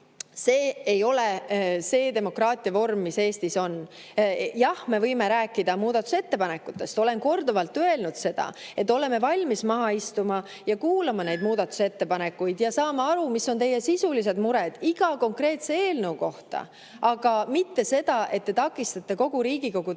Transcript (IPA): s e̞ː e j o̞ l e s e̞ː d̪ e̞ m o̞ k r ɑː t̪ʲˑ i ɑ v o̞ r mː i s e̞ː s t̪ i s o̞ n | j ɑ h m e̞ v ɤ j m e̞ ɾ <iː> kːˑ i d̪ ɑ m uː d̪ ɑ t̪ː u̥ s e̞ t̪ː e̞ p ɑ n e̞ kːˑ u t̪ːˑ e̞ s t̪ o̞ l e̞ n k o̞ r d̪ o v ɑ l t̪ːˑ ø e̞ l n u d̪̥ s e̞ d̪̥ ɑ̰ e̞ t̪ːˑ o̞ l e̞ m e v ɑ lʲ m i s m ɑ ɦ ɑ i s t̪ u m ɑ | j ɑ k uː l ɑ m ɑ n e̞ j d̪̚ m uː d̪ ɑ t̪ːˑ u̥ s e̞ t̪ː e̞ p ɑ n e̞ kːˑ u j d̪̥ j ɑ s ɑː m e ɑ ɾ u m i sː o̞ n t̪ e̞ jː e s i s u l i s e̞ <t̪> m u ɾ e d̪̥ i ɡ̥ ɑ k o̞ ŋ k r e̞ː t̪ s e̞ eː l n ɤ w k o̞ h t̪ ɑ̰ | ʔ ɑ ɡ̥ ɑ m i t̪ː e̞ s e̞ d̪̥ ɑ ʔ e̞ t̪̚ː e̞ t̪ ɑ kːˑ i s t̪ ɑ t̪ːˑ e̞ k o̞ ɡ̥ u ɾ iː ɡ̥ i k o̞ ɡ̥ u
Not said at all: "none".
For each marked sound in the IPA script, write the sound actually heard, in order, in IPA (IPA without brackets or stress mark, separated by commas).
æː, d̪